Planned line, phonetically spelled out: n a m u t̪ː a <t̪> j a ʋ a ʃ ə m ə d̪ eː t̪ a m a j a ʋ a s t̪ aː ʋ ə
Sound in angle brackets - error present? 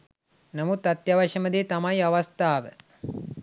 no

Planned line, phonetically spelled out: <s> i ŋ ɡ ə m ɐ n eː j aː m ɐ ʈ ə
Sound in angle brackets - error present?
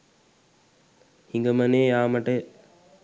yes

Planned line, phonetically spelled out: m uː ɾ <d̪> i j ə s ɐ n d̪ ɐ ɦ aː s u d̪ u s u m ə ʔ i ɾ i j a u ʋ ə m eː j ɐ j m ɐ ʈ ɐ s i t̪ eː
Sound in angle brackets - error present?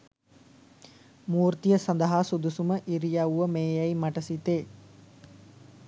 yes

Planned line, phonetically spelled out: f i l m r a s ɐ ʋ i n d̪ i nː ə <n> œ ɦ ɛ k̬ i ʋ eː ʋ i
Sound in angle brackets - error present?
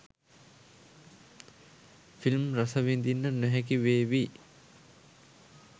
no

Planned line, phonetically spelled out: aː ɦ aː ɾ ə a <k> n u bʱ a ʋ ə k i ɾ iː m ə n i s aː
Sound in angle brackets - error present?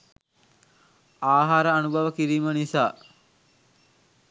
yes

